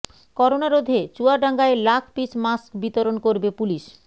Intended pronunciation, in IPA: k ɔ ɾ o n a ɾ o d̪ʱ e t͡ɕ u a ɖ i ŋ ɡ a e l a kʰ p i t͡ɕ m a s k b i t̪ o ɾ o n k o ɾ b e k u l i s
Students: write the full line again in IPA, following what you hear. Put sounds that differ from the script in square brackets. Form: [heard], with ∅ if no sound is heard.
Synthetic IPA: k ɔ ɾ o n a ɾ o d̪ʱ e t͡ɕ u a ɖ [a] ŋ ɡ a e l a kʰ p i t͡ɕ m a s k b i t̪ o ɾ o n k o ɾ b e [p] u l i [ʃ]